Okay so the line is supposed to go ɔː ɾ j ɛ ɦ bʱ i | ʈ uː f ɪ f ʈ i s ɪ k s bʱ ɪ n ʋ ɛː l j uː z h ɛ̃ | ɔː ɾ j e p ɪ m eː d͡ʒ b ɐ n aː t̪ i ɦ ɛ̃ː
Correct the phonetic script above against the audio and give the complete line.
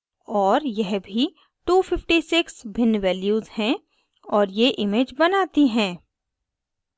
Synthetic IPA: ɔː ɾ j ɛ ɦ bʱ i | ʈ uː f ɪ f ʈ i s ɪ k s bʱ ɪ n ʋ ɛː l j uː z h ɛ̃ | ɔː ɾ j e ʔ ɪ m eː d͡ʒ b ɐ n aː t̪ i ɦ ɛ̃ː